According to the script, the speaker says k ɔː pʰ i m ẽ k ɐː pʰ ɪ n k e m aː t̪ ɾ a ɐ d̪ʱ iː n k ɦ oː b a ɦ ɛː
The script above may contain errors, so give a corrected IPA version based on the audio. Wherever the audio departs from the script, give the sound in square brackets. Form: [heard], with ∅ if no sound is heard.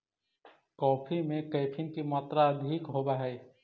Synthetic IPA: k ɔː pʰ i m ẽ k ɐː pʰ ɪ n k [i] m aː t̪ ɾ a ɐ d̪ʱ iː [∅] k ɦ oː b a ɦ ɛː